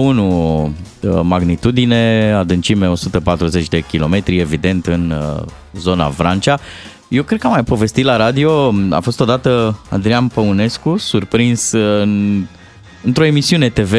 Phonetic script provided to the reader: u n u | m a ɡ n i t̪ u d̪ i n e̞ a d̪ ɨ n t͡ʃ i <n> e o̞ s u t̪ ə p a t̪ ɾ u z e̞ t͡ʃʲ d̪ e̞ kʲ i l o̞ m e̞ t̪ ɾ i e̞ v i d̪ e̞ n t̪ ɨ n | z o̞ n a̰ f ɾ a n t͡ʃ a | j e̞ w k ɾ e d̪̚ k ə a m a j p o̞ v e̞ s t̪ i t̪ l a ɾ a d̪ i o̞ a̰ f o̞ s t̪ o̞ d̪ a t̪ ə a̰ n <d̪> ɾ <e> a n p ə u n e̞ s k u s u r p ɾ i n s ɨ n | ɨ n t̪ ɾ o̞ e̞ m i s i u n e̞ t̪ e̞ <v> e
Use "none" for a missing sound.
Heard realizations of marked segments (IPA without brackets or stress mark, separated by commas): m, d̪, i, v